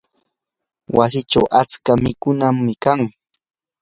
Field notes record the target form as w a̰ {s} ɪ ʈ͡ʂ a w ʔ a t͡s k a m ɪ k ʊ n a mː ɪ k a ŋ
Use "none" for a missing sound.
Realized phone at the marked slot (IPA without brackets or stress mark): s